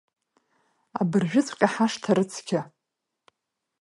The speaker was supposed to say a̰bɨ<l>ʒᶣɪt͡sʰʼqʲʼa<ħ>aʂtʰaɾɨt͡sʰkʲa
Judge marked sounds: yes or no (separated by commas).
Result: no, yes